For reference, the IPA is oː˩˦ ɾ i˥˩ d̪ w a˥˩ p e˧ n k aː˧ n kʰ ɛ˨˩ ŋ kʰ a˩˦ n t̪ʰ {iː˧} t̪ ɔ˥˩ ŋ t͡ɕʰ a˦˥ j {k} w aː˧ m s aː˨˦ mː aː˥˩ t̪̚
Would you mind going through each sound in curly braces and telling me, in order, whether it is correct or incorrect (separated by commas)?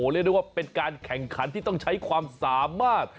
incorrect, incorrect